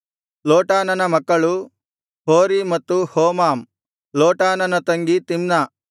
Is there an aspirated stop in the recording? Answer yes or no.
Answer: no